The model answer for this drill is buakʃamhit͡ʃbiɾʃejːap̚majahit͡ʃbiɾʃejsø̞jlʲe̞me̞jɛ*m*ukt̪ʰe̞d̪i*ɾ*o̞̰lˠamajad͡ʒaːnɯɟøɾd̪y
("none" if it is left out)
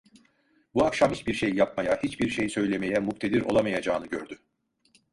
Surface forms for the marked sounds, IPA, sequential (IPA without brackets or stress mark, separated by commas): m, ɾ